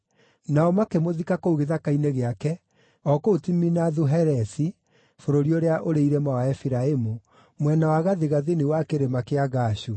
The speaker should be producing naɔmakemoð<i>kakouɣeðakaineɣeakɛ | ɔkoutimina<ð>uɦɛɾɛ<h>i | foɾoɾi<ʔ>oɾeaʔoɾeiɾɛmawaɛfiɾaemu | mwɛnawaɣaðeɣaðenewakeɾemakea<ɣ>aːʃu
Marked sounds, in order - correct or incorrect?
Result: correct, correct, incorrect: s, incorrect: none, correct

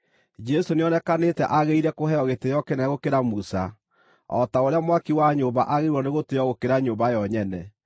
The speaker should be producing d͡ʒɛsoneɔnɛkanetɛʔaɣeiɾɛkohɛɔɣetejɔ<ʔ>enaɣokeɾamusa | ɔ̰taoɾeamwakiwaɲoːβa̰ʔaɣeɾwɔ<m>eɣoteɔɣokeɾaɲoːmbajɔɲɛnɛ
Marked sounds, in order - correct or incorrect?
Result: incorrect: k, incorrect: n

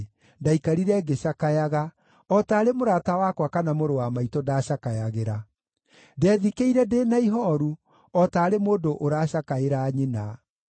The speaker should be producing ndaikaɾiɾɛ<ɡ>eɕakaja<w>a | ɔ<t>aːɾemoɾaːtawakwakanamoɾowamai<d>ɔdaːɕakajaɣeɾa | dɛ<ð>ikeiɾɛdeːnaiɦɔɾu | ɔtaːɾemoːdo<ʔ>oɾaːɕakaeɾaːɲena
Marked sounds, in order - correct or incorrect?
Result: correct, incorrect: ɣ, correct, incorrect: t, correct, correct

